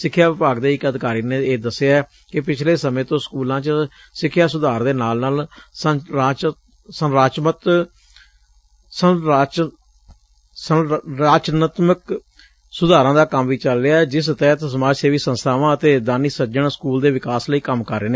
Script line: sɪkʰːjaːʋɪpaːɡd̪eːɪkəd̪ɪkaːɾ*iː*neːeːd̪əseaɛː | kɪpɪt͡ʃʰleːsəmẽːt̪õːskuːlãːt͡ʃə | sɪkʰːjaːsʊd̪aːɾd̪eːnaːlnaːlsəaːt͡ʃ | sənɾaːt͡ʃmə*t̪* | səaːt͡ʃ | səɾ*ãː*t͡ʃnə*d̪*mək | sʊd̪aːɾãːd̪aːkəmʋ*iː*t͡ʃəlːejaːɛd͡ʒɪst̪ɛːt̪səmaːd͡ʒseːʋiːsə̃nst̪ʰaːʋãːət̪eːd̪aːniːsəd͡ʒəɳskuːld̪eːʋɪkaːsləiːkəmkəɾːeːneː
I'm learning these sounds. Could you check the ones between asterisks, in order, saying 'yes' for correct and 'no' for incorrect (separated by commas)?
yes, yes, no, no, yes